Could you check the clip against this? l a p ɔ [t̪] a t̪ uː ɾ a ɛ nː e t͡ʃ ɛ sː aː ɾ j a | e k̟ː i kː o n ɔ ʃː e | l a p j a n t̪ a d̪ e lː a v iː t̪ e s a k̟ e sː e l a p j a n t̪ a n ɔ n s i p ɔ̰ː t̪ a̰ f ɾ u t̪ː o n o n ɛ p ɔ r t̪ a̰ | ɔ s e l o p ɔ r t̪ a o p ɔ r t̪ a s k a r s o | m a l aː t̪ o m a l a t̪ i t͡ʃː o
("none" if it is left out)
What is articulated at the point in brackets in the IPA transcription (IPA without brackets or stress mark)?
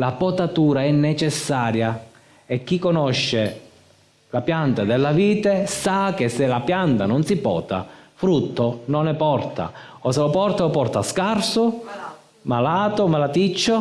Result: t̪